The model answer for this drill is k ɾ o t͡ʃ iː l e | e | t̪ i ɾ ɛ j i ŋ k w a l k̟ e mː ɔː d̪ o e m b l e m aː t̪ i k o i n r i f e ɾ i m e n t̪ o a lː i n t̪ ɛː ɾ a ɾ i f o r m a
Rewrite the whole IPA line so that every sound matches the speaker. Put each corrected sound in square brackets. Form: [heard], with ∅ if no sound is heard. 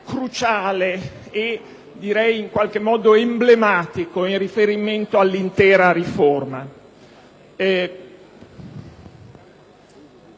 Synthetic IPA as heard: k ɾ [u] t͡ʃ [aː] l e | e | [d̪] i ɾ ɛ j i ŋ k w a l k̟ e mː ɔː d̪ o e m b l e m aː t̪ i k o i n r i f e ɾ i m e n t̪ o a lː i n t̪ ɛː ɾ a ɾ i f o r m a